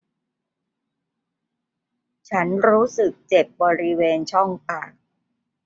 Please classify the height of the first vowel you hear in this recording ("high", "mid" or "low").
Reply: low